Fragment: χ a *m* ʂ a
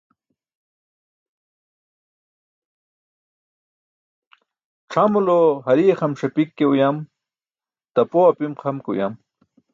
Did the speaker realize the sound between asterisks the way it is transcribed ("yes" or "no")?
yes